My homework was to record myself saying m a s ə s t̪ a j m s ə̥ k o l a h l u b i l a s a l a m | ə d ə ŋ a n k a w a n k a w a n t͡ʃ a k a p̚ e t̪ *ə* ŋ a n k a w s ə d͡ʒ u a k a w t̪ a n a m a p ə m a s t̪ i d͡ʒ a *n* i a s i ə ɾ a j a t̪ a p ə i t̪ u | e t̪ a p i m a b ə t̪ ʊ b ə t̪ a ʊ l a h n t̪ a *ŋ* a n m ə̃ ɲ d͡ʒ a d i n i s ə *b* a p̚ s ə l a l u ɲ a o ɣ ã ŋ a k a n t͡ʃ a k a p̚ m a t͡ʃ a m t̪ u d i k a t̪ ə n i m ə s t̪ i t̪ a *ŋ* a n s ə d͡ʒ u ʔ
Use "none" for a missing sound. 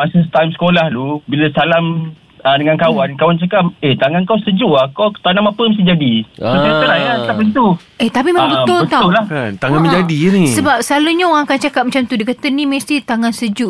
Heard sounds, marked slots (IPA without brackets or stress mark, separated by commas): a, d, ŋ, b, ŋ